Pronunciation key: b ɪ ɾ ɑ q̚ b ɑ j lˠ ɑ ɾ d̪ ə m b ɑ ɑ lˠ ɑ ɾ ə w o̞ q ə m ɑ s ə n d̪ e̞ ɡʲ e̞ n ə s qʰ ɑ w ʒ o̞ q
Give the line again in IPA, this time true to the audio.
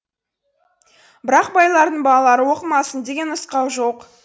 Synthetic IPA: b ɪ ɾ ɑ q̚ b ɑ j lˠ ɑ ɾ d̪ ə ɴ b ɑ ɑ lˠ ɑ ɾ ə w o̞ q ə m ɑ s ə n d̪ e̞ ɡʲ e̞ n ə s q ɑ w ʒ o̞ q

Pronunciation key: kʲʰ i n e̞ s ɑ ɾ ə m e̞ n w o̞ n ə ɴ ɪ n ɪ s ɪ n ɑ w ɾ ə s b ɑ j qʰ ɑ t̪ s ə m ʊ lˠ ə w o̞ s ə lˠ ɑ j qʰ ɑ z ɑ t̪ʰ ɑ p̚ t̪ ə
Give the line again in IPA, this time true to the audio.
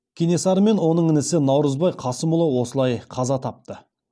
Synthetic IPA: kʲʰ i n e̞ s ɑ ɾ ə m e̞ n w o̞ n ə ɴ ɪ n ɪ s ɪ n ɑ w ɾ ə z b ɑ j qʰ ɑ s ə m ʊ lˠ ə w o̞ s ə lˠ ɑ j qʰ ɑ z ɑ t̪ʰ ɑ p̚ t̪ ə

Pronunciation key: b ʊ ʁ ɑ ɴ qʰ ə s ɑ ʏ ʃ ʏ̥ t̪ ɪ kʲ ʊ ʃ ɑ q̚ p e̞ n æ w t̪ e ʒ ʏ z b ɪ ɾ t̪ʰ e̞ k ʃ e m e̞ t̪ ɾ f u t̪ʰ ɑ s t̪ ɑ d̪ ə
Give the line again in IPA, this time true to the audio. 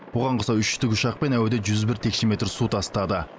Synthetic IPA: b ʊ ʁ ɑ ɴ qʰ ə s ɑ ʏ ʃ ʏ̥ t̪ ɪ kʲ ʊ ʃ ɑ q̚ p e̞ n æ w d̪ e ʒ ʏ z b ɪ ɾ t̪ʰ e̞ k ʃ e m e̞ t̪ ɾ s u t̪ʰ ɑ s t̪ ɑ d̪ ə

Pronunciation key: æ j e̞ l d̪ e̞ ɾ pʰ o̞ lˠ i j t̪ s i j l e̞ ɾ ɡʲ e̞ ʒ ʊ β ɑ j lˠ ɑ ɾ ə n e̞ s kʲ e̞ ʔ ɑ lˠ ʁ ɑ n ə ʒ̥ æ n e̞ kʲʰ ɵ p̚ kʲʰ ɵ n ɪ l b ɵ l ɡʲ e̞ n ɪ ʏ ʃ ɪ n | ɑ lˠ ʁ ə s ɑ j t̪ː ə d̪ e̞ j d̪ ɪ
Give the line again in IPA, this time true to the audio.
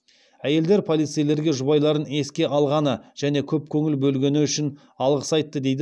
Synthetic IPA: æ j e̞ l d̪ e̞ ɾ pʰ o̞ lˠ i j t̪ s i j l e̞ ɾ ɡʲ e̞ ʒ ʊ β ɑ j lˠ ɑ ɾ ə n e̞ s kʲ e̞ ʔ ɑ lˠ ʁ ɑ n ə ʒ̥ æ n e̞ kʲʰ ɵ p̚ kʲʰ ɵ ŋ ɪ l b ɵ l ɡʲ e̞ n ɪ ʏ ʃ ɪ n | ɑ lˠ ʁ ə s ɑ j t̪ː ə d̪ e̞ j d̪ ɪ

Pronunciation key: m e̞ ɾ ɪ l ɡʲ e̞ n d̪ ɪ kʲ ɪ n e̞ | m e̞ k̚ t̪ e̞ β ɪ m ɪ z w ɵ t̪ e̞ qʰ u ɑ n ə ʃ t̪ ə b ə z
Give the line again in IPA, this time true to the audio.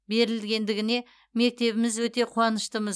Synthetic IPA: b e̞ ɾ ɪ l ɡʲ e̞ n d̪ ɪ ɡʲ ɪ n e̞ | m e̞ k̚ t̪ e̞ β ɪ m ɪ z w ɵ t̪ e̞ qʰ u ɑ n ə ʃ t̪ ə m ə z

